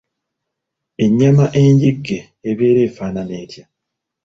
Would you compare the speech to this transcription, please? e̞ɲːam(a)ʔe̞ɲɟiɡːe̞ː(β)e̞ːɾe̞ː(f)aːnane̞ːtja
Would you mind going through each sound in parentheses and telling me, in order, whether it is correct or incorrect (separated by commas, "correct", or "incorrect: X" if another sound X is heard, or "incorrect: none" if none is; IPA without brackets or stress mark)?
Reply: correct, correct, correct